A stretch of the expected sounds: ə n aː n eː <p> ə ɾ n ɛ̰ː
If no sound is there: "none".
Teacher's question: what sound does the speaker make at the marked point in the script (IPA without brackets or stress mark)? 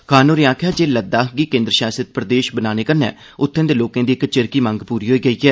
k